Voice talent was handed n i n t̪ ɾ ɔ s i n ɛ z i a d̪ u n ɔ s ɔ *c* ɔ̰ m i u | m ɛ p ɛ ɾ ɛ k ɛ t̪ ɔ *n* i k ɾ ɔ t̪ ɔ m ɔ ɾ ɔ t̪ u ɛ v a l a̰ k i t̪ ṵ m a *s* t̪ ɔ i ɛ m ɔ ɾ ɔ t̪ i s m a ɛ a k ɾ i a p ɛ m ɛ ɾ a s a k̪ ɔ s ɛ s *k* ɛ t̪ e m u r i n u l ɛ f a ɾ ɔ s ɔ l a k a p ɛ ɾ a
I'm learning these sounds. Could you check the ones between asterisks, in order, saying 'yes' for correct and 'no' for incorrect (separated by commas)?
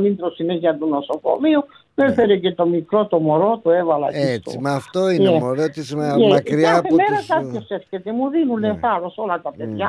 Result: no, no, no, yes